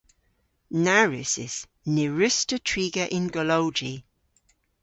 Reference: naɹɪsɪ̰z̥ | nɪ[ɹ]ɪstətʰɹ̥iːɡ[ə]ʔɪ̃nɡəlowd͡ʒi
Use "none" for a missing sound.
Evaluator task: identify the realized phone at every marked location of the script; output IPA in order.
ɹ, ə

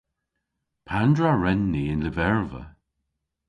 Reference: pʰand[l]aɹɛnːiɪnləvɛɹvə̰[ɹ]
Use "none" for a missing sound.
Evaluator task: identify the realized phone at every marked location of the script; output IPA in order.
ɹ, none

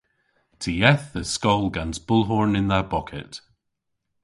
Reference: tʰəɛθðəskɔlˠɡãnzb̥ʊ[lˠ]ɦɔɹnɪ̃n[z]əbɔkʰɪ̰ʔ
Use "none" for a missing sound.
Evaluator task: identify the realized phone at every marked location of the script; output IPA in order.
lˠ, ð

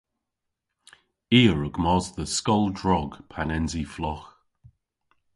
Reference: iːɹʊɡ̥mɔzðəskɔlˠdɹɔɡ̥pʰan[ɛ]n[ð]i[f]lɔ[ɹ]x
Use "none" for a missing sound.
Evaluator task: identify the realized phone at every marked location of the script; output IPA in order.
ɛ, z, f, none

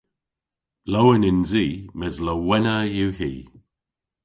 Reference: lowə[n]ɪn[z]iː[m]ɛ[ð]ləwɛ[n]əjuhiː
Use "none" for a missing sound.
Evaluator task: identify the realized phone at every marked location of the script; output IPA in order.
n, z, m, z, n

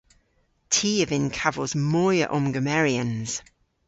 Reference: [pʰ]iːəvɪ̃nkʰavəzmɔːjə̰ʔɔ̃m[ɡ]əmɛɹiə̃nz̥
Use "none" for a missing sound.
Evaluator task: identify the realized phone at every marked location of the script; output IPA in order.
tʰ, ɡ

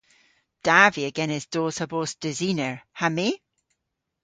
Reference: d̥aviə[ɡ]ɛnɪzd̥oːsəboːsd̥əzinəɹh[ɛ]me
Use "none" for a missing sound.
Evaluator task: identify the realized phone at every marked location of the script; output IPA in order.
ɡ, a

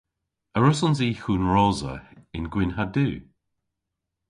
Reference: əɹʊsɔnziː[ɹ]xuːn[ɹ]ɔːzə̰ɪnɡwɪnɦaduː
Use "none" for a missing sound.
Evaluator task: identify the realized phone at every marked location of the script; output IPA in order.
none, ɹ

